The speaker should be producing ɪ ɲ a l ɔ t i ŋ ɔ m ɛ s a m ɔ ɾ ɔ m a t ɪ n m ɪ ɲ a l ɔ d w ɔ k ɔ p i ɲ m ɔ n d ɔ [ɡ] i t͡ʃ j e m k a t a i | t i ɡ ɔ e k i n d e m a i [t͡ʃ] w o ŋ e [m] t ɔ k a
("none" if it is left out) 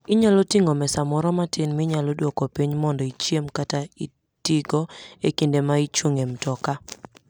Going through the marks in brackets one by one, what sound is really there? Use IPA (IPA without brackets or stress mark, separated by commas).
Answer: none, t͡ʃ, m